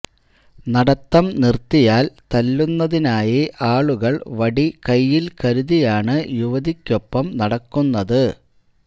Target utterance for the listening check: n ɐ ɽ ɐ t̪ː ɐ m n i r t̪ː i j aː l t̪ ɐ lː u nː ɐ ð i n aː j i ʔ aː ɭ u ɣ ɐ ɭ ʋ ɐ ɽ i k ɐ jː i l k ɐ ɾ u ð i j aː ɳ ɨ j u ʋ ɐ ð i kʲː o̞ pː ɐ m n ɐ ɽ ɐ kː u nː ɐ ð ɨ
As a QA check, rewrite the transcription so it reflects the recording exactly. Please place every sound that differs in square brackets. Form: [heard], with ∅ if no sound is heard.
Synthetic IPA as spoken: n ɐ ɽ ɐ t̪ː ɐ m n i r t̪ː i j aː l t̪ ɐ lː u nː ɐ ð i n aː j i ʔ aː ɭ u ɣ ɐ ɭ ʋ ɐ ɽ i k ɐ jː i l k ɐ ɾ u ð i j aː ɳ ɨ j u ʋ ɐ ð i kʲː o̞ pː ɐ m n ɐ ɽ ɐ kː u nː ɐ ð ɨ